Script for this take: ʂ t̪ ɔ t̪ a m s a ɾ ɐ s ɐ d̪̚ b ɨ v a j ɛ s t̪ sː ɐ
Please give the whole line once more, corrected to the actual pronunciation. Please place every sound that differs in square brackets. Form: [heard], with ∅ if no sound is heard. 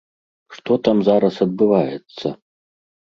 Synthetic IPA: ʂ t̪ ɔ t̪ a m [z] a ɾ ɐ s ɐ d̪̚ b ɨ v a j ɛ [∅] t̪ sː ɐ